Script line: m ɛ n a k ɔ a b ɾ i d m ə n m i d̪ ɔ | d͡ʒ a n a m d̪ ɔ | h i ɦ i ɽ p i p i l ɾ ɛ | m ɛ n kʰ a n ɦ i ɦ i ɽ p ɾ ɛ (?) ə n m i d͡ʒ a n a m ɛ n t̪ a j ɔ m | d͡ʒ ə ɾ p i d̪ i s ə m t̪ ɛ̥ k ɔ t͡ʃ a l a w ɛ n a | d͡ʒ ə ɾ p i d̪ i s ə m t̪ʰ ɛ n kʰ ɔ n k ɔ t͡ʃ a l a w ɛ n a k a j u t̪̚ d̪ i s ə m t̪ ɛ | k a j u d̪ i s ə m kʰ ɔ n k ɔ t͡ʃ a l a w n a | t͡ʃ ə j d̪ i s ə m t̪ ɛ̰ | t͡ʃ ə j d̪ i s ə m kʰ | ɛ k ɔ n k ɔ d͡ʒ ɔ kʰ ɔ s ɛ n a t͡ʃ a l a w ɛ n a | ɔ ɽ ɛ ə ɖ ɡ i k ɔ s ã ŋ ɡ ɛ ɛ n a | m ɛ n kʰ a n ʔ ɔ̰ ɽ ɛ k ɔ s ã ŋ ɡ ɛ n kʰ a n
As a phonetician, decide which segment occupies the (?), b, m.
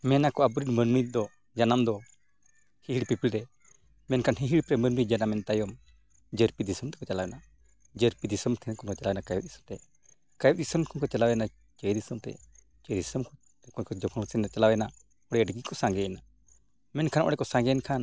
m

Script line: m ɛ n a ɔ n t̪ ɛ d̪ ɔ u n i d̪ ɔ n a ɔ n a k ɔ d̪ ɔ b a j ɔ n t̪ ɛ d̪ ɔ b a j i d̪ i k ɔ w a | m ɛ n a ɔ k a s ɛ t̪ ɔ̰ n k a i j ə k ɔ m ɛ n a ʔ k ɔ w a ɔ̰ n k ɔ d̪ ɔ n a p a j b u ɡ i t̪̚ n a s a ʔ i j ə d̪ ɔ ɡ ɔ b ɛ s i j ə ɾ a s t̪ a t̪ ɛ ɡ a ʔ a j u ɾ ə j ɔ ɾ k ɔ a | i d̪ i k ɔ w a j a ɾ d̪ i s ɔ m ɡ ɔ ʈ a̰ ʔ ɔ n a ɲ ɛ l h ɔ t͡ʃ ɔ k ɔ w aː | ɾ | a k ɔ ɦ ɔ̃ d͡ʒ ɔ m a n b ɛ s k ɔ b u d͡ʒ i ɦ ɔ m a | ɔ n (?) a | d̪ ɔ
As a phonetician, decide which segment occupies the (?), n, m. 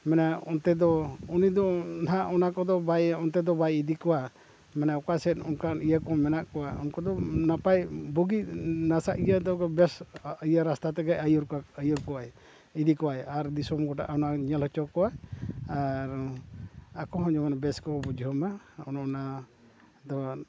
n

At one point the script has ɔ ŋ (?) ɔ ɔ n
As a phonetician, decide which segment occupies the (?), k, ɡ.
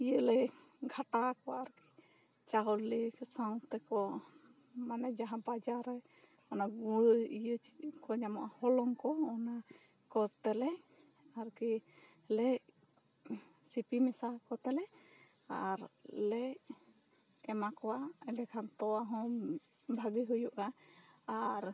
k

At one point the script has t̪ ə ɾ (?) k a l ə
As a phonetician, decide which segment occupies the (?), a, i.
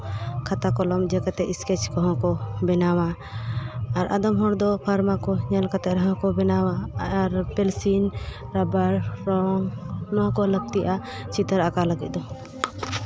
a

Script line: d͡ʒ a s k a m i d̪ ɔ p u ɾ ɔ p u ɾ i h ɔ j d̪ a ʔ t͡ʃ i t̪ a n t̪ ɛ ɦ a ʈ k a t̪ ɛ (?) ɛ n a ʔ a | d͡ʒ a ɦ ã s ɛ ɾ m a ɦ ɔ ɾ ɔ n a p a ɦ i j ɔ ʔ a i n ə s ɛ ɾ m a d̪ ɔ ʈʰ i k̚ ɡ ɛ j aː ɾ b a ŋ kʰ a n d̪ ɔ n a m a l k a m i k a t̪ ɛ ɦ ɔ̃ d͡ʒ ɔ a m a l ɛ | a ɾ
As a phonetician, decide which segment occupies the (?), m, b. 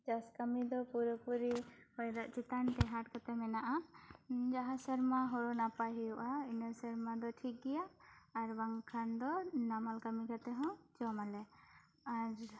m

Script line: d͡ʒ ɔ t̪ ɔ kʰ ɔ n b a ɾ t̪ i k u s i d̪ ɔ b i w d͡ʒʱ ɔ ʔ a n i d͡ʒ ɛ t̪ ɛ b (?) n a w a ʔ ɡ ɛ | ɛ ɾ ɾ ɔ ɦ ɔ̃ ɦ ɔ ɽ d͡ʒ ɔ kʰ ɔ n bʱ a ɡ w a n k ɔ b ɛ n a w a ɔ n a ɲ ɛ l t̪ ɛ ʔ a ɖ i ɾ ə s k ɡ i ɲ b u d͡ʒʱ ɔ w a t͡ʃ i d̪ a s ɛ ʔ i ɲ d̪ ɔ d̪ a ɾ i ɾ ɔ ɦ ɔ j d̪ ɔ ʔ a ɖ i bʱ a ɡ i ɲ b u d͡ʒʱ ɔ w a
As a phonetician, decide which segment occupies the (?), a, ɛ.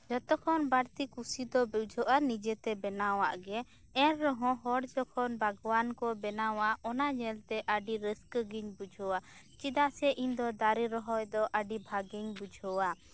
ɛ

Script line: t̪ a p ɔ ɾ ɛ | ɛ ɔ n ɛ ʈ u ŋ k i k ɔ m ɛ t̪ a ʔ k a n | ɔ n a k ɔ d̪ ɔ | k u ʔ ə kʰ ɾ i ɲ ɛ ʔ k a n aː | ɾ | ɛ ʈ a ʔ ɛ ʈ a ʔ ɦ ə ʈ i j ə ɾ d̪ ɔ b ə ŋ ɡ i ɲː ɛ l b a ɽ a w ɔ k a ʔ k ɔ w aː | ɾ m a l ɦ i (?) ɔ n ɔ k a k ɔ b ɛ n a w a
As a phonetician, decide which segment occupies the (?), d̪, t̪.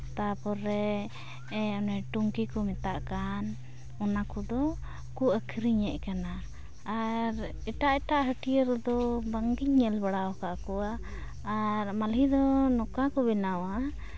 d̪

